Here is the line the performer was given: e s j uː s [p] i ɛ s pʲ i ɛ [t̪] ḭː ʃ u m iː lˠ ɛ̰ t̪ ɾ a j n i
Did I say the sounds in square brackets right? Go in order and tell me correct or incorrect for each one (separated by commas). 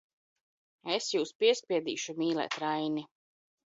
correct, incorrect